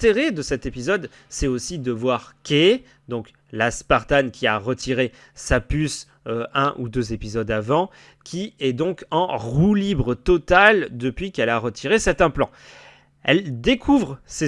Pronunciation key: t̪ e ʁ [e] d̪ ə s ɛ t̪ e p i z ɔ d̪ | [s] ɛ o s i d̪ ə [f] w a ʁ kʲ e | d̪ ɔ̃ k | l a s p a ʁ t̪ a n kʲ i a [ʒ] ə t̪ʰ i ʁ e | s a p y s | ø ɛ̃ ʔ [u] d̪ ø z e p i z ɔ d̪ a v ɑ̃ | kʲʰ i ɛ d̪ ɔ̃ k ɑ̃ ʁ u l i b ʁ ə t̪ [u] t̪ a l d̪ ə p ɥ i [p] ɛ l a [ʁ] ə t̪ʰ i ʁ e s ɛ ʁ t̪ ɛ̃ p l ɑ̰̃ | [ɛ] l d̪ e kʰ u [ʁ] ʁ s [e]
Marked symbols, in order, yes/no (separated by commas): yes, yes, no, no, yes, no, no, yes, yes, no, yes